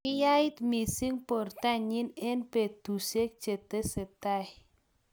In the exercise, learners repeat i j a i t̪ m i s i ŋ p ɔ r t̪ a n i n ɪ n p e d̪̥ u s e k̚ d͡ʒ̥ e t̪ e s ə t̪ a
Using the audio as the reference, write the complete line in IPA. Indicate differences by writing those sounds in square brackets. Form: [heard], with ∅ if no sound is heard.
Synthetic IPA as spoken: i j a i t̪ m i s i ŋ p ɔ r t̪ a [ɲ] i n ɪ n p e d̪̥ u s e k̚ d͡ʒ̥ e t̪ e s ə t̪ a